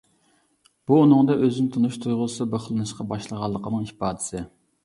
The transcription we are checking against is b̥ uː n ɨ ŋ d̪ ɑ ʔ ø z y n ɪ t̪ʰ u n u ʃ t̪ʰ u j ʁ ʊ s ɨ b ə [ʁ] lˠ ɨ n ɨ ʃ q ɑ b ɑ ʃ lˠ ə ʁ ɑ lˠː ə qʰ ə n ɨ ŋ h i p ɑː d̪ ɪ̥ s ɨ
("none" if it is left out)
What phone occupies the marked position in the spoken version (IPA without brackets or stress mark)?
χ